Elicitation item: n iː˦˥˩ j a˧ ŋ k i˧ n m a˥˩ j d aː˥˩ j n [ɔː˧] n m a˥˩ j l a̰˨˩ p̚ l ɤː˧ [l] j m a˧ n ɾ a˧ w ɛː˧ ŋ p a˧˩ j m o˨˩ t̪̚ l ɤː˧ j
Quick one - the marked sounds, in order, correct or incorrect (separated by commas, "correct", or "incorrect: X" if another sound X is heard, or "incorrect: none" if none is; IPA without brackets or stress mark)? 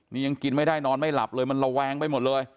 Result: correct, incorrect: none